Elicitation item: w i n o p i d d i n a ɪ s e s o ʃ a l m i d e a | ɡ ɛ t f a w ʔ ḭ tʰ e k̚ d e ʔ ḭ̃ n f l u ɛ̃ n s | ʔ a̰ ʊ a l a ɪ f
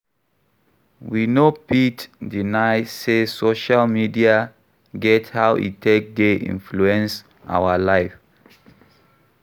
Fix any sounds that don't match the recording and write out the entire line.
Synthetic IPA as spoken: w i n o p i t d i n a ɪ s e s o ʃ a l m i d i a | ɡ ɛ t h a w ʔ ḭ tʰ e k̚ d e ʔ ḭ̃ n f l u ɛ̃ n s | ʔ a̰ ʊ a l a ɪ f

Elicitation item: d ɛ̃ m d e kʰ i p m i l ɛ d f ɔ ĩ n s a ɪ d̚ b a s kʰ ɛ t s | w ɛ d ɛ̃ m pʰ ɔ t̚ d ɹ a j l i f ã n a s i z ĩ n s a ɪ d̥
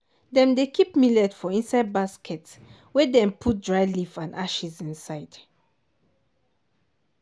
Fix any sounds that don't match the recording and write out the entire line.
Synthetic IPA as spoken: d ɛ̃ m d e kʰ i p m i l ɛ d f ɔ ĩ n s a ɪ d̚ b a s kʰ ɛ t s | w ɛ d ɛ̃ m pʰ u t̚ d ɹ a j l i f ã n a ʃ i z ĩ n s a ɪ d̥

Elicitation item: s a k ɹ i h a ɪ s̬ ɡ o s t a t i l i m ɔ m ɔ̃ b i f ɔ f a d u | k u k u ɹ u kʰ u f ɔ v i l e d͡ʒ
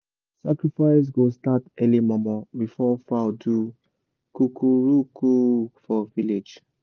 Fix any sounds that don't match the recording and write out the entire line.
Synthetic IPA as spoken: s a k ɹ i f a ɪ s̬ ɡ o s t a t ɛ l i m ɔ m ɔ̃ b i f ɔ f a d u | k u k u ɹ u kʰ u f ɔ v i l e d͡ʒ

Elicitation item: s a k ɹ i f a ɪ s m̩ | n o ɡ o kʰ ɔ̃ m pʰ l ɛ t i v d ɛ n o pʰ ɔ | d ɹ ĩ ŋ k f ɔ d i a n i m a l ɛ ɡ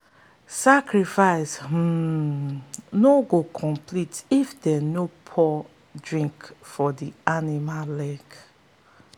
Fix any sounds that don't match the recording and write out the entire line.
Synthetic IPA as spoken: s a k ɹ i f a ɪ s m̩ | n o ɡ o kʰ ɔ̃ m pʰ l i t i f d ɛ n o pʰ ɔ | d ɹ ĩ ŋ k f ɔ d i a n i m a l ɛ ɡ

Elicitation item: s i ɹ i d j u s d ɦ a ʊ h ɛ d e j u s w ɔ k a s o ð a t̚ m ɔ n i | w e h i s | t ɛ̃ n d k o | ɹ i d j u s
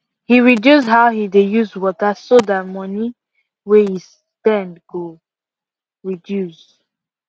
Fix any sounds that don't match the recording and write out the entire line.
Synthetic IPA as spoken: h i ɹ i d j u s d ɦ a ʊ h i d e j u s w ɔ t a s o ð a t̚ m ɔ n i | w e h i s | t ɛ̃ n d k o | ɹ i d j u s

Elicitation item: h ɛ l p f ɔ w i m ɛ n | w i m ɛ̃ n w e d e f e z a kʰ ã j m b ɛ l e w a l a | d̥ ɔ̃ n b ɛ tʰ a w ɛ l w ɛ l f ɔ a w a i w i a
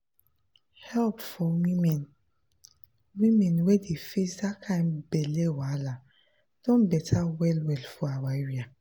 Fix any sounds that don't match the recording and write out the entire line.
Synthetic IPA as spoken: h ɛ l p f ɔ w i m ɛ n | w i m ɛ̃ n w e d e f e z a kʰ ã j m b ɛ l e w a l a | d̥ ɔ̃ n b ɛ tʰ a w ɛ l w ɛ l f ɔ a w a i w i a

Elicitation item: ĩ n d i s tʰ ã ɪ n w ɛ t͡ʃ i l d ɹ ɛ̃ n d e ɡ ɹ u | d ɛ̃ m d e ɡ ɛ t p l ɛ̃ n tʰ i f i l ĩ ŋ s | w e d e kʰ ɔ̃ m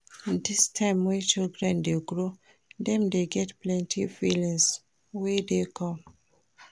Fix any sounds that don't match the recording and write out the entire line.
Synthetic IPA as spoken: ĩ n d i s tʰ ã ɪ m w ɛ t͡ʃ i l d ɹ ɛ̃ n d e ɡ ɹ o | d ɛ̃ m d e ɡ ɛ t p l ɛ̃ n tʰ i f i l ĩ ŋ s | w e d e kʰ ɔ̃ m

